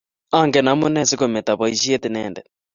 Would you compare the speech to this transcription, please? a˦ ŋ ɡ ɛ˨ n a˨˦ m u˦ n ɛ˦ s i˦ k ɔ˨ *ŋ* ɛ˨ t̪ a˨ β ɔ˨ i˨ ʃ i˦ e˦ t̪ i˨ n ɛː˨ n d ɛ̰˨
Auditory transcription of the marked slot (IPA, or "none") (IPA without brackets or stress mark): m